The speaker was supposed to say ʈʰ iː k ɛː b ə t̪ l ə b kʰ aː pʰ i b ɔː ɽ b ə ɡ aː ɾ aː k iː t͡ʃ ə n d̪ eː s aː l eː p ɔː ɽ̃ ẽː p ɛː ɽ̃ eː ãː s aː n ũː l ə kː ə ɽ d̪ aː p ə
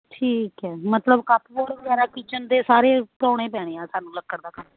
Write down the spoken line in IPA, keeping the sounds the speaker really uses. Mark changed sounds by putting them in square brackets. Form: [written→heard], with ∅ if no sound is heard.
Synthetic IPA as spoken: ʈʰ iː k ɛː [b→m] ə t̪ l ə b [kʰ→k] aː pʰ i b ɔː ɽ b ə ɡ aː ɾ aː k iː t͡ʃ ə n d̪ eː s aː [l→ɾ] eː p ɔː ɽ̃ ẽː p ɛː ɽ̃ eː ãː s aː n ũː l ə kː ə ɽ d̪ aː [p→k] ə